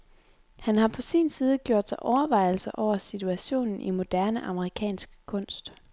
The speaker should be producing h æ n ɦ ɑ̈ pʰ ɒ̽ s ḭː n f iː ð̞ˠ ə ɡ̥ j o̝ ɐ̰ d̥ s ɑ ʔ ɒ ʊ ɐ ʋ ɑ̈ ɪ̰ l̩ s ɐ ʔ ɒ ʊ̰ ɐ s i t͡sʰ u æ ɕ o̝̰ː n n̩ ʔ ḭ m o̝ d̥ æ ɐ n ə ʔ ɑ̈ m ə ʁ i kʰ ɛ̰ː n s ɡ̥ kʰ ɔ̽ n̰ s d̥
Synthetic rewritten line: h æ n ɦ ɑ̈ pʰ ɒ̽ s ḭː n s iː ð̞ˠ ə ɡ̥ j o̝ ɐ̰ d̥ s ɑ ʔ ɒ ʊ ɐ ʋ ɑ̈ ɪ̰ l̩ s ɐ ʔ ɒ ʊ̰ ɐ s i t͡sʰ u æ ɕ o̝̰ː n n̩ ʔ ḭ m o̝ d̥ æ ɐ n ə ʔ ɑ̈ m ə ʁ i kʰ ɛ̰ː n s ɡ̥ kʰ ɔ̽ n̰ s d̥